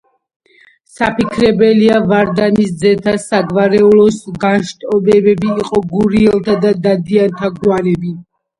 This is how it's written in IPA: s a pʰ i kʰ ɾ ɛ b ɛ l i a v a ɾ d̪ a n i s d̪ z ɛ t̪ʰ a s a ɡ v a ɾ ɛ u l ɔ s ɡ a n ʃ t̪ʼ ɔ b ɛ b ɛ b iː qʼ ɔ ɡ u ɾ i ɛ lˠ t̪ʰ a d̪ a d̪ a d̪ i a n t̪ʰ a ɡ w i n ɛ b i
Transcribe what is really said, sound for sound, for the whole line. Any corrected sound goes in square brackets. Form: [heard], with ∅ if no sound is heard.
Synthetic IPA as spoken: s a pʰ i kʰ ɾ ɛ b ɛ l i a v a ɾ d̪ a n i s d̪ z ɛ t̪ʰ a s a ɡ v a ɾ ɛ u l ɔ s ɡ a n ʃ t̪ʼ ɔ b ɛ b ɛ b iː qʼ ɔ ɡ u ɾ i ɛ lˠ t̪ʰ a d̪ a d̪ a d̪ i a n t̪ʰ a ɡ w [a] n ɛ b i